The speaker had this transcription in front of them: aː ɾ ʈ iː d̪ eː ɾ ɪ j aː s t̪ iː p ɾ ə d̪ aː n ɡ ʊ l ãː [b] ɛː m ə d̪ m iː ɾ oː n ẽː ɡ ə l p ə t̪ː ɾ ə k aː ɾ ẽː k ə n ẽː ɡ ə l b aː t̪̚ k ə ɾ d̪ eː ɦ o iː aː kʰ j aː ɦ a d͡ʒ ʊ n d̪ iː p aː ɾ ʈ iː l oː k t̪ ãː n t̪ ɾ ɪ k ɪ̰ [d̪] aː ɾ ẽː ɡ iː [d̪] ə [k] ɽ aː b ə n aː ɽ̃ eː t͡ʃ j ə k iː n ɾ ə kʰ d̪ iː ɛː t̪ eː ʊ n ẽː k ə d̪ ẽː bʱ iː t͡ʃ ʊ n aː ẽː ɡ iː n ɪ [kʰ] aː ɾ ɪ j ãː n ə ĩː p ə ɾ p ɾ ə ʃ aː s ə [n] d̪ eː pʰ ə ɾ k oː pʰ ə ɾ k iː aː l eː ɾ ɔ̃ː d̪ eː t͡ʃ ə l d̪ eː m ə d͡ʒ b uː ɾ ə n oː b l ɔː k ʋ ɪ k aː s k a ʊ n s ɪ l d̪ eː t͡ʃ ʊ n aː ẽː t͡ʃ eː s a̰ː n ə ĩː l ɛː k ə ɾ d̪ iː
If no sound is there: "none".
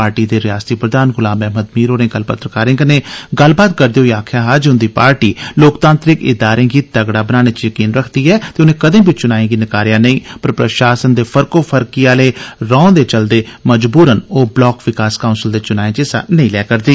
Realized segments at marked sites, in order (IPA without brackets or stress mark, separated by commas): m, d̪, t̪, ɡ, k, n